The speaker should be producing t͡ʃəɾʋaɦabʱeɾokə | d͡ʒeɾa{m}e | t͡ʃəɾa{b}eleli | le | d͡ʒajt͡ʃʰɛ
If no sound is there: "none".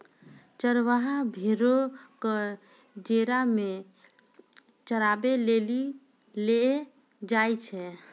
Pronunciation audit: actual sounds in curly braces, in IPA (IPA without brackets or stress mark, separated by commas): m, b